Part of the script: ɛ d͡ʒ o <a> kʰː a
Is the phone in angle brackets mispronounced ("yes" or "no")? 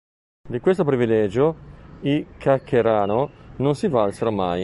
yes